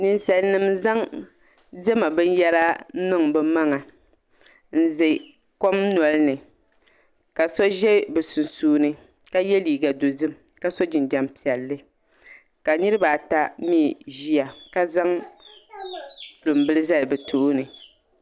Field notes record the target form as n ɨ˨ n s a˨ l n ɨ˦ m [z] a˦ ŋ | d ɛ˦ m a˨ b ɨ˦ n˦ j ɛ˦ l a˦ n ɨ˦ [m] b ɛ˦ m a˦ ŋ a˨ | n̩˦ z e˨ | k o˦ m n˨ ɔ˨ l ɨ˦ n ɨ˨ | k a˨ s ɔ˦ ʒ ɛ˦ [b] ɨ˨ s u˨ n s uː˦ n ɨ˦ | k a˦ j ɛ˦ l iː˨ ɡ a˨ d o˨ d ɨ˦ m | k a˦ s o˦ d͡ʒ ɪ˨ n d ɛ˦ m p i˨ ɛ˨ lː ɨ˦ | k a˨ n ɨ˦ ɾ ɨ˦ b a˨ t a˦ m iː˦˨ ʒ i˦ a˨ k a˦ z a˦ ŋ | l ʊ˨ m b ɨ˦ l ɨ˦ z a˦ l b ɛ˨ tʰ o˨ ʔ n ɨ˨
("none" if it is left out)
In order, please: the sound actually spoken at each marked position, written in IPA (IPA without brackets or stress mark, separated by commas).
z, ŋ, b